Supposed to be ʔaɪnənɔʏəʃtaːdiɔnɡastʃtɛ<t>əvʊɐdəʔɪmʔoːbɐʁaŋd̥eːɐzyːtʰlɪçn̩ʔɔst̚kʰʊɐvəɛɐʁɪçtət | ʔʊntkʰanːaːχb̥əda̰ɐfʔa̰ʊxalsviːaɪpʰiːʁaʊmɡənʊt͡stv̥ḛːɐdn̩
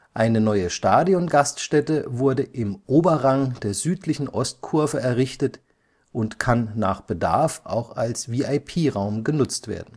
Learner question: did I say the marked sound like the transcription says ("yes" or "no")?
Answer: yes